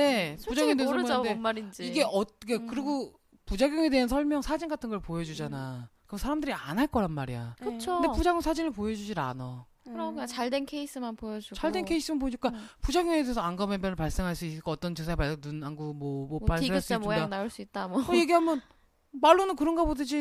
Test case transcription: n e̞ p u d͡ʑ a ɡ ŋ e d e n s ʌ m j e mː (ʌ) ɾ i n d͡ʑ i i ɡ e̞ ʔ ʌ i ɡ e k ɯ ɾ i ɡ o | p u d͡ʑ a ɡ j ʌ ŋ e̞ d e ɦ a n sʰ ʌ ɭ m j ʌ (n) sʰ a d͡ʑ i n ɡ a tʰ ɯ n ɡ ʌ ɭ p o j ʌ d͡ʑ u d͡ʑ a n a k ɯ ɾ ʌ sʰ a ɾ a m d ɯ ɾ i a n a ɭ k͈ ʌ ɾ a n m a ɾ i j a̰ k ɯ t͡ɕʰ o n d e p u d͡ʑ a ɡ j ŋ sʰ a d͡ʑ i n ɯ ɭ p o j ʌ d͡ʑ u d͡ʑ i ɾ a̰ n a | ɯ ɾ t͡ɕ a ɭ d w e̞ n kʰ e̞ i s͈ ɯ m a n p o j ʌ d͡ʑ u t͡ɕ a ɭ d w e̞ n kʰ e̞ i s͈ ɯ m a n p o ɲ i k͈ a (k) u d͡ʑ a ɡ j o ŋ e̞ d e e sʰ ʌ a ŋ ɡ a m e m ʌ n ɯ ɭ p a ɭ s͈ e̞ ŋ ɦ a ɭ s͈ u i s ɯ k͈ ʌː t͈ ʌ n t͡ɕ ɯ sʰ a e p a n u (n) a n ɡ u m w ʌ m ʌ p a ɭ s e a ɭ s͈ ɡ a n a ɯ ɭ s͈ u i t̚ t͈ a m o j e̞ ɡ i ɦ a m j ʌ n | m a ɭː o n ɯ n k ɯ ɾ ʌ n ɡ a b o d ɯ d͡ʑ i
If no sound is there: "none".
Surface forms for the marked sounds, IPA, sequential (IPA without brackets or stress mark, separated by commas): a, ŋ, p, n